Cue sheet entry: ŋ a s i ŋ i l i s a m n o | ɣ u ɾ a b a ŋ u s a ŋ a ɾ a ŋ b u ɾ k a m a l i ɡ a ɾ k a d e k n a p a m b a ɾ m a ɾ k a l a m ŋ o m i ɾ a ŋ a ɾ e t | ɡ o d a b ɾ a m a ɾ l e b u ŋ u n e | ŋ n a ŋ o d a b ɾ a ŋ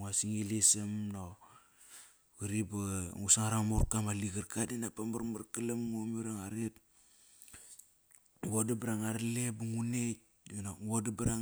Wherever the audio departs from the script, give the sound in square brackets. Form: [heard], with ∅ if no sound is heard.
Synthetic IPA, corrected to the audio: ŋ a s i ŋ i l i s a m n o | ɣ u ɾ [i] b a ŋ u s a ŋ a ɾ a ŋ [m] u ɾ k a m a l i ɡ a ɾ k a d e [∅] n a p a m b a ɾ m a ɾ k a l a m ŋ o m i ɾ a ŋ a ɾ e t | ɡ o d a b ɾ a [ŋ] a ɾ l e b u ŋ u n e | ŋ n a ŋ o d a b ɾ a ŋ